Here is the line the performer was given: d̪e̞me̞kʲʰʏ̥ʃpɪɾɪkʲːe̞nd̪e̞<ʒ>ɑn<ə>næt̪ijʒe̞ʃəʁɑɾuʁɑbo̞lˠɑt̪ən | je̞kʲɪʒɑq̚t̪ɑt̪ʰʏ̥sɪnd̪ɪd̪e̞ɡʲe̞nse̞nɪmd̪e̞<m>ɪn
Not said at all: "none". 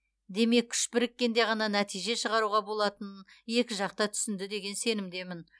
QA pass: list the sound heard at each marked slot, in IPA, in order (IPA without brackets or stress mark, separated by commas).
ʁ, ɑ, m